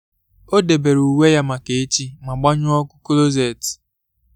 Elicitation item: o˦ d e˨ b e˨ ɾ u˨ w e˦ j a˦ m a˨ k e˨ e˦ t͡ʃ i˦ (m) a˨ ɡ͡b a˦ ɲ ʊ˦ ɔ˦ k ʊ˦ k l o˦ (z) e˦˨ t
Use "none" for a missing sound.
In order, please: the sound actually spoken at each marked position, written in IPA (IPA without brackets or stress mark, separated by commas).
m, z